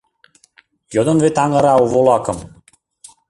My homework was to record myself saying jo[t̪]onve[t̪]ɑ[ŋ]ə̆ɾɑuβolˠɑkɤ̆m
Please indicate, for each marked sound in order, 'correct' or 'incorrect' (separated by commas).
incorrect, correct, correct